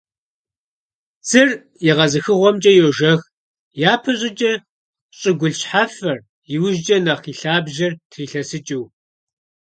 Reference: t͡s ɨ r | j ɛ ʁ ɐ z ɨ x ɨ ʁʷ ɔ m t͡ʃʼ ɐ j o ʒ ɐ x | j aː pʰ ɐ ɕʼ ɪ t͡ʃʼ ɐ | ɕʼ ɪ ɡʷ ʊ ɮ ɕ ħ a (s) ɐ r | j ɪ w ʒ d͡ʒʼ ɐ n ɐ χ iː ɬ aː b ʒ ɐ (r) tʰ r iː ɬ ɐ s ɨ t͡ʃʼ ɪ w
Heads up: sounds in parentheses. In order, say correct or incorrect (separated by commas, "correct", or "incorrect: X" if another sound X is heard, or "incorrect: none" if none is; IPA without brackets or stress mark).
incorrect: f, correct